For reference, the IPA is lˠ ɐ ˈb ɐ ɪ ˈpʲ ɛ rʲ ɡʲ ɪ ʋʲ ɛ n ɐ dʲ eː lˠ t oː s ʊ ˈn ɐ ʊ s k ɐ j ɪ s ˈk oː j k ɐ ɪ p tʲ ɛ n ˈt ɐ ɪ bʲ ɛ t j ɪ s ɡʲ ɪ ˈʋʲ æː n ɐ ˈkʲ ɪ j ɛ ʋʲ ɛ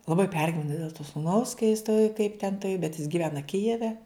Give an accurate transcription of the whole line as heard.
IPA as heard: lˠ ɐ ˈb ɐ ɪ ˈpʲ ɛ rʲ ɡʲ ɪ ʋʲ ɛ n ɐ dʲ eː lˠ t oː s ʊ ˈn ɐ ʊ s k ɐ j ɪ s ˈt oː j k ɐ ɪ p tʲ ɛ n ˈt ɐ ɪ bʲ ɛ t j ɪ s ɡʲ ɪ ˈʋʲ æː n ɐ ˈkʲ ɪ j ɛ ʋʲ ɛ